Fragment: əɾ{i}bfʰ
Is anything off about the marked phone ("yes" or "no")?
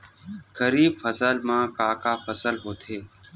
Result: yes